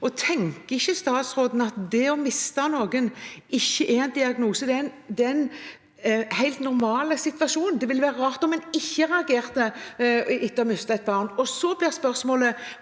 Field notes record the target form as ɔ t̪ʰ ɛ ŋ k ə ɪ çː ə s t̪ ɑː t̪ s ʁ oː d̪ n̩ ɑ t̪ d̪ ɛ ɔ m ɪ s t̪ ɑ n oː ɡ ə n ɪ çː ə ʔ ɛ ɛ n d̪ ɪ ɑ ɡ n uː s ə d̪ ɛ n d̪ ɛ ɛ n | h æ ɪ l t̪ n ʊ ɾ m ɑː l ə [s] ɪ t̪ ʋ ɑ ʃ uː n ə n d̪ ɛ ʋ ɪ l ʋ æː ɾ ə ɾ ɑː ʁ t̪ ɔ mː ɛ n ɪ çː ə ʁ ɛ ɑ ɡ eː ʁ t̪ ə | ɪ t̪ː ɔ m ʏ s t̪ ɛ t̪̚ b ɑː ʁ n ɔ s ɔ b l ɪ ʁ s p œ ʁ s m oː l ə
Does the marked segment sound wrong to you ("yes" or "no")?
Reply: no